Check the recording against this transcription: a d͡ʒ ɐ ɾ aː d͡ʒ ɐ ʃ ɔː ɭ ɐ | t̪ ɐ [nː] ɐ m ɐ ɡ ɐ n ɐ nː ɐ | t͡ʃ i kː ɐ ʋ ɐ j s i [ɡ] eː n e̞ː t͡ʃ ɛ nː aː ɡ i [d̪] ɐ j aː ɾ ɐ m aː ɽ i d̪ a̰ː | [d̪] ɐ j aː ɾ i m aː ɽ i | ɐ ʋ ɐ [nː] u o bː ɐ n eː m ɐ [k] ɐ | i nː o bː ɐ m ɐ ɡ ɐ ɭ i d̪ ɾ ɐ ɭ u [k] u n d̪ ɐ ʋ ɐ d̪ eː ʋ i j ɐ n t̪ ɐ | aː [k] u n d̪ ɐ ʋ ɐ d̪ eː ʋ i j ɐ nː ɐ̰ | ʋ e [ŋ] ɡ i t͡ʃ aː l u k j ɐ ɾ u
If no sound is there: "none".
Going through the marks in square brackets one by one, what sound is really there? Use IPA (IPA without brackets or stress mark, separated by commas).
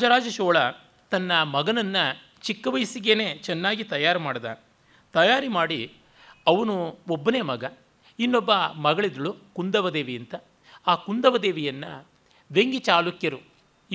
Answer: nː, ɡ, t̪, t̪, n, ɡ, k, k, ŋ